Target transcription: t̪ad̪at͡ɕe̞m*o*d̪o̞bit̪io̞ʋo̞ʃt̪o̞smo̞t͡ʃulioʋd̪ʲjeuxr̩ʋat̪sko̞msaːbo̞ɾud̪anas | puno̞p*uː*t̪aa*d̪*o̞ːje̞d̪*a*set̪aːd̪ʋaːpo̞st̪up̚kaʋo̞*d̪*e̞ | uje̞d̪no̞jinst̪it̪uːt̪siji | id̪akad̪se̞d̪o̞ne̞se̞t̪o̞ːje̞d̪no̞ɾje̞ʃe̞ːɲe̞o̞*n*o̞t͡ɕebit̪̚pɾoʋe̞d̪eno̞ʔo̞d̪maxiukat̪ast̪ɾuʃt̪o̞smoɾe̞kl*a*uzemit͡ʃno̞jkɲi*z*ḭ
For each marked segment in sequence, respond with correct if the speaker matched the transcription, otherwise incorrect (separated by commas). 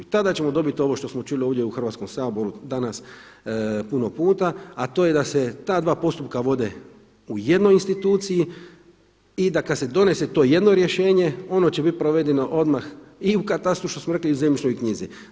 correct, correct, incorrect, correct, correct, correct, incorrect, correct